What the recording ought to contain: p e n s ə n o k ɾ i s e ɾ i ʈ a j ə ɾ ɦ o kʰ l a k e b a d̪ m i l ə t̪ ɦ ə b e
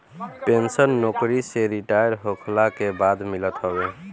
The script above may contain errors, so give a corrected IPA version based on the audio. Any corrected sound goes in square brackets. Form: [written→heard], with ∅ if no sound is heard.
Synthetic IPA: p e n s ə [n→nː] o k ɾ i s e ɾ i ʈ a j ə ɾ ɦ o kʰ l a k e b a d̪ m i l ə t̪ ɦ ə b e